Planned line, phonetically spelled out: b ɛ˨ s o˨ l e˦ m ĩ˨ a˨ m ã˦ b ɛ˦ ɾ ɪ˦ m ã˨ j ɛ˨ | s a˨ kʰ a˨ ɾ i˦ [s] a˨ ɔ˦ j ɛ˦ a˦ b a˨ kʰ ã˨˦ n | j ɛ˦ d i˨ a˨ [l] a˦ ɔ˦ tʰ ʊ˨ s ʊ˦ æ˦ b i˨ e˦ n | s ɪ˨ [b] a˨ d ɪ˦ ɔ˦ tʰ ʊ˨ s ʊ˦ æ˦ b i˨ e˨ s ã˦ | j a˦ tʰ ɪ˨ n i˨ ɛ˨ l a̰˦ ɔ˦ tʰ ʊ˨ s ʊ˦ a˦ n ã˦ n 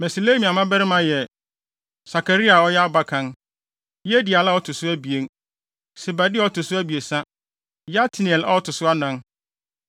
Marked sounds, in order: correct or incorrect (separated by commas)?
incorrect, correct, correct